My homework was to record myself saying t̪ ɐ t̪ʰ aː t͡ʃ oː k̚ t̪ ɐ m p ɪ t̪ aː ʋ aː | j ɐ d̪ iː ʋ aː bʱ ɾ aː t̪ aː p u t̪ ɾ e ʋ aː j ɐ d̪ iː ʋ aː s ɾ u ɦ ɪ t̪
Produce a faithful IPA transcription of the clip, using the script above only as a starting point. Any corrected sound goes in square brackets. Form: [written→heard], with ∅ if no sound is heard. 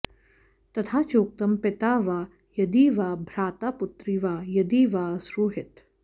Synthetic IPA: t̪ ɐ t̪ʰ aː t͡ʃ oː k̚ t̪ ɐ m p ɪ t̪ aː ʋ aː | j ɐ d̪ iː ʋ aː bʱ ɾ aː t̪ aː p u t̪ ɾ [e→i] ʋ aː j ɐ d̪ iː ʋ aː s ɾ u ɦ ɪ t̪